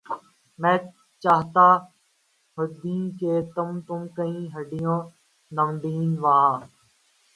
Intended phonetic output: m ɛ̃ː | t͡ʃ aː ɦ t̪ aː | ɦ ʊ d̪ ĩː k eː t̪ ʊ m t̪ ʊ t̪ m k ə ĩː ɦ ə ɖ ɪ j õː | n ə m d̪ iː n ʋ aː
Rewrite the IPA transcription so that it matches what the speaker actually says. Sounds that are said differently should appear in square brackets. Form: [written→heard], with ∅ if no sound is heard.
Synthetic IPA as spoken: m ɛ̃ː | t͡ʃ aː ɦ t̪ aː | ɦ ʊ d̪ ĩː k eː t̪ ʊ m t̪ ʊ [t̪→∅] m k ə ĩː ɦ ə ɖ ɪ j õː | n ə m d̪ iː n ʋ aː